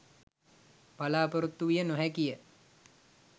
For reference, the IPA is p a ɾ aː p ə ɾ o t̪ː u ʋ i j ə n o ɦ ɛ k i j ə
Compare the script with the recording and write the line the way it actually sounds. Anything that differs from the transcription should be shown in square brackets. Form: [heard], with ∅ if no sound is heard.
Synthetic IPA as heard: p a [l] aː p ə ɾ [u] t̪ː u ʋ i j ə n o ɦ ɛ k i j ə